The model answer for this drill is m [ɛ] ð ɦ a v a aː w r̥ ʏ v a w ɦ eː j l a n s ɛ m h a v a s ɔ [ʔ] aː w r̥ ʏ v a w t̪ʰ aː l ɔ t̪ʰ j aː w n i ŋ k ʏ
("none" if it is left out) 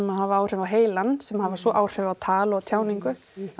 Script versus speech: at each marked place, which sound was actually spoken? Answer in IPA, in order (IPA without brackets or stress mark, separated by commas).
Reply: a, ʔ